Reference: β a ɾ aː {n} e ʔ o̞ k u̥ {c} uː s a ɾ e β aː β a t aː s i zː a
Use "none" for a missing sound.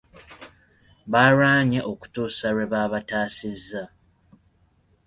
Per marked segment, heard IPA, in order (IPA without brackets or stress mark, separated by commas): ɲ, t